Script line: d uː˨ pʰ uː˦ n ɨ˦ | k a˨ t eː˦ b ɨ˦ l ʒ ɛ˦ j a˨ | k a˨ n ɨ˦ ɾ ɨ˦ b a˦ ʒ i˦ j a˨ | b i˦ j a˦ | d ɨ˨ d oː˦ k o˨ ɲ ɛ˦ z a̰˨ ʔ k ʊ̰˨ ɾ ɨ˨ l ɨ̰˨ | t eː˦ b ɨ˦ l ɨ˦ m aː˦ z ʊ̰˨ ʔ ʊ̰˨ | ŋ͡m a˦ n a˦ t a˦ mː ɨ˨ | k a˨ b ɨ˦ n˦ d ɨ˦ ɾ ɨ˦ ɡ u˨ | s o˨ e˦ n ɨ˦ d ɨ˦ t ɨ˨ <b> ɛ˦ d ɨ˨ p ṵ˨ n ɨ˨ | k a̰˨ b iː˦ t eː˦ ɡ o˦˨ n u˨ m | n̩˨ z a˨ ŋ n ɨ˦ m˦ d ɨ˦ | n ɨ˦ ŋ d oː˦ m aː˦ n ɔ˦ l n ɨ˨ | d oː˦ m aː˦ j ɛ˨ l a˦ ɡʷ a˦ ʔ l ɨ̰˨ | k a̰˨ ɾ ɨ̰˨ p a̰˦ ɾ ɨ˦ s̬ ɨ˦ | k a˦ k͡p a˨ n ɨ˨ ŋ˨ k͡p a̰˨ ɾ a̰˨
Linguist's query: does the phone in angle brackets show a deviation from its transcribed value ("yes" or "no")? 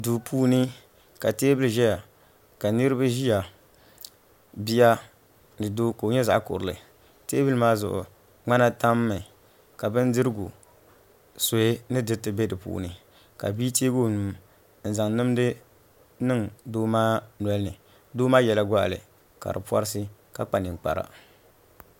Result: no